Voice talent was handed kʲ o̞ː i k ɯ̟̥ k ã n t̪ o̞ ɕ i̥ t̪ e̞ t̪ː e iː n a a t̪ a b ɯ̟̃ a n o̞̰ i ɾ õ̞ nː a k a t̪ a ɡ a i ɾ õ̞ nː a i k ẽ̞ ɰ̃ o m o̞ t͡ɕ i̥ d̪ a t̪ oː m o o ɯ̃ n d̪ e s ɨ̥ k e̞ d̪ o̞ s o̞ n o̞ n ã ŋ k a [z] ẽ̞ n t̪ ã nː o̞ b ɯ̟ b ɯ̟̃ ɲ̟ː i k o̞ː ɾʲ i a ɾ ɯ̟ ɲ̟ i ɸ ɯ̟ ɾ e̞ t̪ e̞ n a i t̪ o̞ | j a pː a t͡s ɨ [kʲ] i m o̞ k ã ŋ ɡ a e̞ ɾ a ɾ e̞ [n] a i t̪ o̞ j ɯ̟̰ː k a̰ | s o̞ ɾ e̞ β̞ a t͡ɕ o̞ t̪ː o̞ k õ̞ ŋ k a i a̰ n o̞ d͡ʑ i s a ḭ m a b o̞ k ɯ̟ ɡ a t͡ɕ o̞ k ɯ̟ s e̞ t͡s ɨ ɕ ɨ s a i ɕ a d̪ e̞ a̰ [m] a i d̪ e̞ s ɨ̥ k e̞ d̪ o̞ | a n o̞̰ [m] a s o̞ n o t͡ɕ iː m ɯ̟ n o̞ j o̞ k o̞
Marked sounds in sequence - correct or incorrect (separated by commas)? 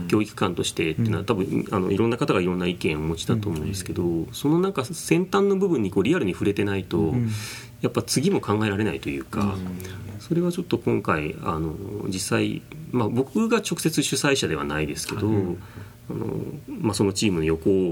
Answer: incorrect, incorrect, correct, incorrect, correct